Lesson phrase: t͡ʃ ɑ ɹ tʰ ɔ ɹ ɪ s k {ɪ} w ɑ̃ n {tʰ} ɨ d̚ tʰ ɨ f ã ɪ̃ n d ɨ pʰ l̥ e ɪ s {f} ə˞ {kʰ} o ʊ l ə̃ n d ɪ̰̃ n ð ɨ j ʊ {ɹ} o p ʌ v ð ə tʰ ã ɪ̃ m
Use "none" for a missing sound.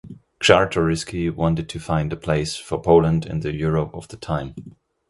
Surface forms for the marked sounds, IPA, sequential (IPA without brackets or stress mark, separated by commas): i, t, f, pʰ, ɹ